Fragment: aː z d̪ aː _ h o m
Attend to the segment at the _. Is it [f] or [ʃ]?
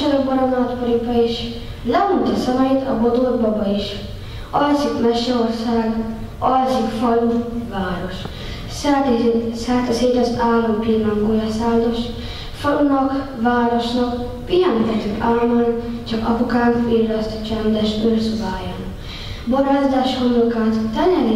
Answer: ʃ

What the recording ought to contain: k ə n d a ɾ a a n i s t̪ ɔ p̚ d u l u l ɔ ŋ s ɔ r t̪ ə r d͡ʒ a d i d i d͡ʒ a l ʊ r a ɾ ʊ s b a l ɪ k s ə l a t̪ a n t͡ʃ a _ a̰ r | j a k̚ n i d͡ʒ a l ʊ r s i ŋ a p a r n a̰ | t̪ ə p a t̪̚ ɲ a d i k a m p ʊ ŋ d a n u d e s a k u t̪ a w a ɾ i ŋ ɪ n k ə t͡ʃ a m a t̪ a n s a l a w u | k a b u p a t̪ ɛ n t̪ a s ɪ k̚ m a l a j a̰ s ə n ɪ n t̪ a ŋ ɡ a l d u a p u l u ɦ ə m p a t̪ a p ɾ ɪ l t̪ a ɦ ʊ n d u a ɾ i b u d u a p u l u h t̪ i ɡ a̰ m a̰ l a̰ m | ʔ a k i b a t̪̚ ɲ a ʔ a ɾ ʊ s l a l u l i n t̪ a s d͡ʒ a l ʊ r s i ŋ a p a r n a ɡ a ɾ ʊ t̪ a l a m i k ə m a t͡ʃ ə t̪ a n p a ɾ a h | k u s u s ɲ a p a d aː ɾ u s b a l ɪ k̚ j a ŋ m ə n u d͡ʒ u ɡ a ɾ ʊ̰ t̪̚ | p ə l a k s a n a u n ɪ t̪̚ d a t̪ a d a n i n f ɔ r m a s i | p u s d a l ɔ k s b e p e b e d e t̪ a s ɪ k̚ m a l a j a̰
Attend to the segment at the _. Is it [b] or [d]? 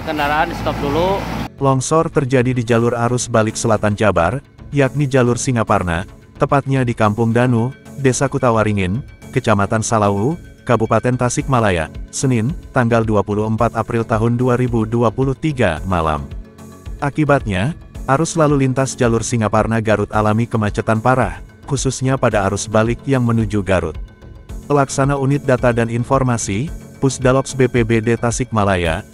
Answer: b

